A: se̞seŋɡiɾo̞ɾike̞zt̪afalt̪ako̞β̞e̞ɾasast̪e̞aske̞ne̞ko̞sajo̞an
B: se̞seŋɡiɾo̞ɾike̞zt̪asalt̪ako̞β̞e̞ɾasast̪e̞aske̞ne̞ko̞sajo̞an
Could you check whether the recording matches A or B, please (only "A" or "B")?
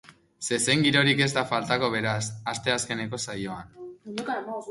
A